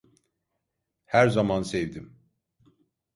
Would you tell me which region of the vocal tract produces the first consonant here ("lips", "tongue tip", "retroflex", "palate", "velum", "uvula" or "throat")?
throat